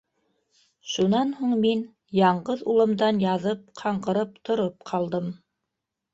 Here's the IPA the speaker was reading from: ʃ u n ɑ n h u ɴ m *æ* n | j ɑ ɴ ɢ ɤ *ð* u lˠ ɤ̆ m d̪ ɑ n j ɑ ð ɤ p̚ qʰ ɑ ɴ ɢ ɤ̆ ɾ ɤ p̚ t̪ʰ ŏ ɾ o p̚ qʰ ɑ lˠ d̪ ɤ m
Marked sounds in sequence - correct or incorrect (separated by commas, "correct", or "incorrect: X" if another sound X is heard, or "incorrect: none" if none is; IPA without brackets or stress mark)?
incorrect: i, correct